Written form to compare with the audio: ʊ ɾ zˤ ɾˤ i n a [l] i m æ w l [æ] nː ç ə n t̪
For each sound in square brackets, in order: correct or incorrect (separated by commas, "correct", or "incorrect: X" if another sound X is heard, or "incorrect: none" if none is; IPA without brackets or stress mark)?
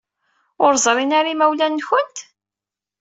incorrect: ɾ, correct